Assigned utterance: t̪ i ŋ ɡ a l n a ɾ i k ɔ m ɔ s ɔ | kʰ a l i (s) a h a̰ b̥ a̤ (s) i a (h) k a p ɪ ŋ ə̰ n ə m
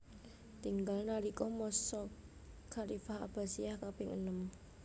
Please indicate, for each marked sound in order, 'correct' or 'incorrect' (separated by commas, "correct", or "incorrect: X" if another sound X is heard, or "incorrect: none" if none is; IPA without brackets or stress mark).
incorrect: f, correct, correct